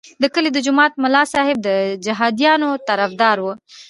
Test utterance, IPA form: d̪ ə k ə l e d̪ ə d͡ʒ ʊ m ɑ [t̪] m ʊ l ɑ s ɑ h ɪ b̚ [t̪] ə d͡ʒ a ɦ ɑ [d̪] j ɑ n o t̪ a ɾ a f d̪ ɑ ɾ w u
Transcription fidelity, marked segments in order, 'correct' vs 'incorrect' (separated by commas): correct, incorrect, correct